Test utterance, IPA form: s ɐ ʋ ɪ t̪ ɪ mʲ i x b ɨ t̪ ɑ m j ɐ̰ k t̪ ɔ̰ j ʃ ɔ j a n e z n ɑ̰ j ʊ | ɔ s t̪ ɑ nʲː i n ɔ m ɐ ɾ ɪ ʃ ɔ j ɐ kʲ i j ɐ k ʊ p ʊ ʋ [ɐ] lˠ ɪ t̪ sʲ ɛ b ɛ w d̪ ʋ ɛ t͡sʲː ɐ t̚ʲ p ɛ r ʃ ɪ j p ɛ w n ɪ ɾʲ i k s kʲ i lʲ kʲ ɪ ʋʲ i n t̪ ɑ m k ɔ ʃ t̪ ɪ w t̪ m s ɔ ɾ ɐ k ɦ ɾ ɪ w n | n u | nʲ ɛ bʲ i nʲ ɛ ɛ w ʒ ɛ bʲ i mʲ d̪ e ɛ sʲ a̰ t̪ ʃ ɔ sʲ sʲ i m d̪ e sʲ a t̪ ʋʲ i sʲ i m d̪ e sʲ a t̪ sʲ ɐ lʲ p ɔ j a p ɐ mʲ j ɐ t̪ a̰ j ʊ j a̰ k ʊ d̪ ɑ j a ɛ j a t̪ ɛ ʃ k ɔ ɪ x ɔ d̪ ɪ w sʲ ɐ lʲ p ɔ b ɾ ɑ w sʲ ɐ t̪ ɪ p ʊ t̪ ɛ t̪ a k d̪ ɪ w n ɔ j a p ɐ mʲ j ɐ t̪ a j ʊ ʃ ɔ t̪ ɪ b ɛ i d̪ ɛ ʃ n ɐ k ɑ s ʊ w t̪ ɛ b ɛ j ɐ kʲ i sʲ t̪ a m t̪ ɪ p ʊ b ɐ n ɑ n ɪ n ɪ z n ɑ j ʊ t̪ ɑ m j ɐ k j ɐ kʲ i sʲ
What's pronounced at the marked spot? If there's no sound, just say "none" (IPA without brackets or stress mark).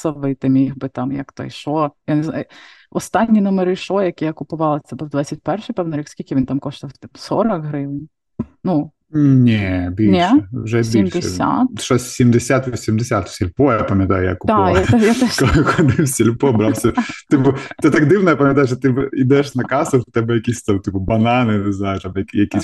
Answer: ɑ